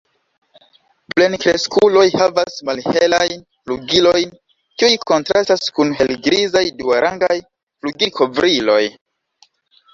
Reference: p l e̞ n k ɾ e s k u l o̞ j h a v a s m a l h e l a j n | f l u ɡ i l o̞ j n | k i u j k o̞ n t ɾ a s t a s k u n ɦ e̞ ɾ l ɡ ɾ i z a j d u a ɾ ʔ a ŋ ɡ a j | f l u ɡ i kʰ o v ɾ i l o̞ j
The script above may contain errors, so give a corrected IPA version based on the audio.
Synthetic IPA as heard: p l e̞ n k ɾ e s k u l o̞ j h a v a s m a l h e l a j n | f l u ɡ i l o̞ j n | k i u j k o̞ n t ɾ a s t a s k u n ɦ e̞ l ɡ ɾ i z a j d u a ɾ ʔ a ŋ ɡ a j | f l u ɡ i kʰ o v ɾ i l o̞ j